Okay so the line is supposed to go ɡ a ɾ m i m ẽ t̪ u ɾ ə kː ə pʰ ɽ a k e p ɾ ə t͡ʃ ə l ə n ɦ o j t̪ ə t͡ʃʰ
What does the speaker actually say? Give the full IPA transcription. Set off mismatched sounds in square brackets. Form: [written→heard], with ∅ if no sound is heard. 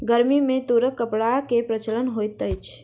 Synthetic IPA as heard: ɡ [a→ə] ɾ m i m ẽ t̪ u ɾ ə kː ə [pʰ→p] ɽ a k e p ɾ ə t͡ʃ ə l ə n ɦ o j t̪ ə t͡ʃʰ